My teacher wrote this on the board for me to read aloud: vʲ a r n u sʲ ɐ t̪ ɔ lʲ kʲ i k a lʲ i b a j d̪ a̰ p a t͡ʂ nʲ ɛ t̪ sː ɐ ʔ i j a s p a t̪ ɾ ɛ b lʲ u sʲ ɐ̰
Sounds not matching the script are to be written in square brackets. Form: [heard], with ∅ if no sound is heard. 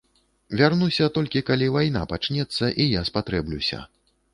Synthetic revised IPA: vʲ a r n u sʲ ɐ t̪ ɔ lʲ kʲ i k a lʲ i [v] a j [n̪] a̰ p a t͡ʂ nʲ ɛ t̪ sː ɐ ʔ i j a s p a t̪ ɾ ɛ b lʲ u sʲ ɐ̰